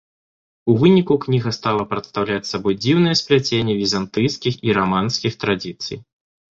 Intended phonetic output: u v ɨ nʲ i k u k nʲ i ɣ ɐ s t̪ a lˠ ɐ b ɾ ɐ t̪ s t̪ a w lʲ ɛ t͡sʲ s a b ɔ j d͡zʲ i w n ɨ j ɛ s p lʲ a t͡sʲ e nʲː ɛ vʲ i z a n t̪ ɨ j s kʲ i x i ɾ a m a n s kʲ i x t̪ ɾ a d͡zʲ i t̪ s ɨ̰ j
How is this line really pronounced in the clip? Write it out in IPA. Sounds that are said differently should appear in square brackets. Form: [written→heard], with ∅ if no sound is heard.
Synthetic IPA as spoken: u v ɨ nʲ i k u k nʲ i ɣ ɐ s t̪ a lˠ ɐ [b→p] ɾ ɐ t̪ s t̪ a w lʲ [ɛ→a] t͡sʲ s a b ɔ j d͡zʲ i w n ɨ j ɛ s p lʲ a t͡sʲ e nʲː ɛ vʲ i z a n t̪ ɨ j s kʲ i x i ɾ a m a n s kʲ i x t̪ ɾ a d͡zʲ i t̪ s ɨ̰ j